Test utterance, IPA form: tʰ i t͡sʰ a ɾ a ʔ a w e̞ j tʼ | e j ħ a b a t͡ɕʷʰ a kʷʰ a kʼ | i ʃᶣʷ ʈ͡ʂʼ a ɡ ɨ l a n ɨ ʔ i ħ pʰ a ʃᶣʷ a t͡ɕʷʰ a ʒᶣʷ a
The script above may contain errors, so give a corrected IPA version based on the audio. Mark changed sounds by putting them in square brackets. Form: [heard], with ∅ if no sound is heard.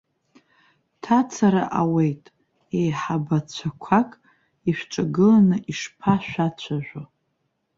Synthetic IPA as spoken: tʰ [a] t͡sʰ a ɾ a ʔ a w e̞ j tʼ | e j ħ a b a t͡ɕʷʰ a kʷʰ a kʼ | i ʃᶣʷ ʈ͡ʂʼ a ɡ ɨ l a n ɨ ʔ i [ʂ] pʰ a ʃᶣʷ a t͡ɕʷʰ a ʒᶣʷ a